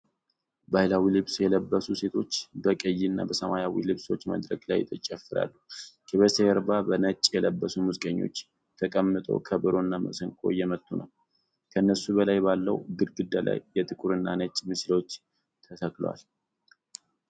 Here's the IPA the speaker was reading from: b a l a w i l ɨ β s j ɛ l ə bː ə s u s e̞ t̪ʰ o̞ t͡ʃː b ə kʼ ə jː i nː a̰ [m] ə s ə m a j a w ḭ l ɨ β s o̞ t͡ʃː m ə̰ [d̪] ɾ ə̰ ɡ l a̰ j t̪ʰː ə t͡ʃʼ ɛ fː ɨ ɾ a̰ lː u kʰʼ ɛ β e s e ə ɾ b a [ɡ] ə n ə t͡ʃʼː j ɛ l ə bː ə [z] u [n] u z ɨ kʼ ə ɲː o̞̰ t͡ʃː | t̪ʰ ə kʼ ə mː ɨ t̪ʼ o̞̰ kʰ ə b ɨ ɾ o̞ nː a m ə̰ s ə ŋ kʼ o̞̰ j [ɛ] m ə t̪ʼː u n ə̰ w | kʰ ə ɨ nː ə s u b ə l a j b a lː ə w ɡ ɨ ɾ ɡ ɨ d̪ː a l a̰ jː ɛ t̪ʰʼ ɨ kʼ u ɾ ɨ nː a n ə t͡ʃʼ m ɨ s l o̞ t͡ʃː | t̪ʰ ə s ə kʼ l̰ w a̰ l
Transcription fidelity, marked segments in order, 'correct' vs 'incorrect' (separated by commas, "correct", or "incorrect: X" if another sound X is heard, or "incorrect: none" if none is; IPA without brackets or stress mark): incorrect: b, correct, incorrect: b, incorrect: s, incorrect: m, correct